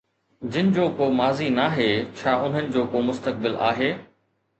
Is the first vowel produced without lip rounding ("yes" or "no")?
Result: yes